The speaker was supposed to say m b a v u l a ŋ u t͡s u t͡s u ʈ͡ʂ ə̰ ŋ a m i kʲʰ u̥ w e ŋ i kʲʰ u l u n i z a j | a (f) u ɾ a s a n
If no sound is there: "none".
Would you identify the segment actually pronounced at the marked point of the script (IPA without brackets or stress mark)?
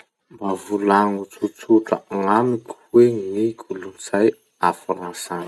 f